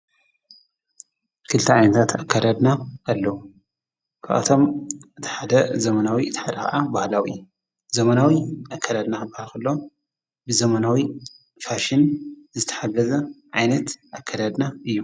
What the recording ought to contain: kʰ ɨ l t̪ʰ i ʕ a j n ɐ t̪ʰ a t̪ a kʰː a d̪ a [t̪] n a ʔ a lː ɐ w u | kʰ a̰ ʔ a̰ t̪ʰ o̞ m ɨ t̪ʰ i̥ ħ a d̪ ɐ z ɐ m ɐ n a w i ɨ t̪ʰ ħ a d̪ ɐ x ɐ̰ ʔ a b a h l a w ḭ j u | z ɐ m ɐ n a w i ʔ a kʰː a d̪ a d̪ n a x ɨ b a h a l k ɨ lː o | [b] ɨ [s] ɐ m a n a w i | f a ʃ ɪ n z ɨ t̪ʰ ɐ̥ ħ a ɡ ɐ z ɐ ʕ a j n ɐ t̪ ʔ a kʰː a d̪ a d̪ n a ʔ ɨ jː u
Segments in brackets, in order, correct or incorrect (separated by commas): incorrect, correct, incorrect